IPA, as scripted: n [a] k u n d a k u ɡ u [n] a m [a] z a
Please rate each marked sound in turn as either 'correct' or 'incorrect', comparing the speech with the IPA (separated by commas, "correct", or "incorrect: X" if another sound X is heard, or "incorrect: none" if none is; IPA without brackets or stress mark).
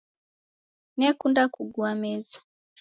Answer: incorrect: ɛ, incorrect: none, incorrect: ɛ